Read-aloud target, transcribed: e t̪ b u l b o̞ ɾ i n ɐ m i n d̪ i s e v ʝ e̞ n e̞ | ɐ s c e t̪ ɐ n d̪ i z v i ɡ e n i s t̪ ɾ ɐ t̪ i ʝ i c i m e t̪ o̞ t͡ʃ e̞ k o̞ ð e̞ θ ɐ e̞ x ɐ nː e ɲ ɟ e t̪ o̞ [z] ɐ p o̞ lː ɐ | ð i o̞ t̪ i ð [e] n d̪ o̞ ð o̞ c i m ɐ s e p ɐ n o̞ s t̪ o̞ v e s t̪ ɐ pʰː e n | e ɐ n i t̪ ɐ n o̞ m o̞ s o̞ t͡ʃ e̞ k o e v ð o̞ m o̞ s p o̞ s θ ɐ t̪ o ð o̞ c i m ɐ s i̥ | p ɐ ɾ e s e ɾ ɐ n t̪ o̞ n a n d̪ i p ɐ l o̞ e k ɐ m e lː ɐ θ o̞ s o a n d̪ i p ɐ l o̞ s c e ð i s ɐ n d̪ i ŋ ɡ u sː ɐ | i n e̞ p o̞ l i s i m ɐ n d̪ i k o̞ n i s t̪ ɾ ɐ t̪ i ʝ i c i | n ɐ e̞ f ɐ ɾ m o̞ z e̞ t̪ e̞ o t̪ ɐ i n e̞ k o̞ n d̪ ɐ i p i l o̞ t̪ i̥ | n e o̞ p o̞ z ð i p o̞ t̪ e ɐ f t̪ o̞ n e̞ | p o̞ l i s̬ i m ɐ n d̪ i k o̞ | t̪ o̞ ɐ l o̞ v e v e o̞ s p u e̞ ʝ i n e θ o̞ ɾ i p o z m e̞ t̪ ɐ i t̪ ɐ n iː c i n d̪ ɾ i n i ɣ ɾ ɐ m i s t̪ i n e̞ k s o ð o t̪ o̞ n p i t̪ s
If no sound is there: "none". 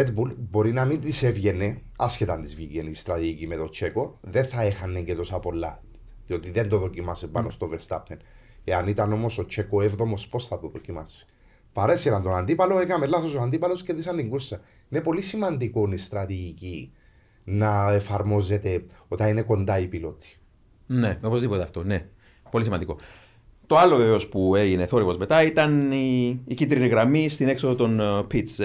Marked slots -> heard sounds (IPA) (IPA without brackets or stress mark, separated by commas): s, e